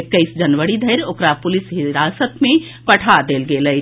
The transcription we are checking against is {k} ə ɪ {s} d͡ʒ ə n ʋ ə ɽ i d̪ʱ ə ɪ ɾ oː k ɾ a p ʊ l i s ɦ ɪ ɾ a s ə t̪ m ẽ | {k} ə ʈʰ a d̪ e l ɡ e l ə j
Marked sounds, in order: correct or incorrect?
correct, correct, incorrect

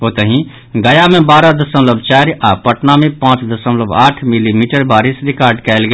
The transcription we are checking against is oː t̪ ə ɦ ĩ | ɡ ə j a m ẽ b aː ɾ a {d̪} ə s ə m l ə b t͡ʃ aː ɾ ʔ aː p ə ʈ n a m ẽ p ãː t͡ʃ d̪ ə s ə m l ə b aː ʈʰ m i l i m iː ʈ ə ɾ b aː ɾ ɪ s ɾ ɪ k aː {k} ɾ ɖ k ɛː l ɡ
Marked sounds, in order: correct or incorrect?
correct, incorrect

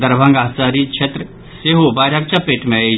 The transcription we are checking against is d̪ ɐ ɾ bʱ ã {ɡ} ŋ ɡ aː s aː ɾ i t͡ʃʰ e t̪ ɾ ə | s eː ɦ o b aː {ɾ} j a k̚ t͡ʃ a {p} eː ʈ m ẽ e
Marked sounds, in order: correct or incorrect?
incorrect, correct, correct

